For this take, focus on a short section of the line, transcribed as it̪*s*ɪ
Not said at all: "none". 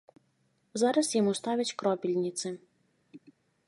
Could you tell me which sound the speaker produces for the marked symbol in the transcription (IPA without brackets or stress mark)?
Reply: s